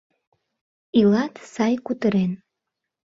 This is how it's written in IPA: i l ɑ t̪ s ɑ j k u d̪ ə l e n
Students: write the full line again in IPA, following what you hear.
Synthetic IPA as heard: i l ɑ t̪ s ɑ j k u t̪ ə ɾ e n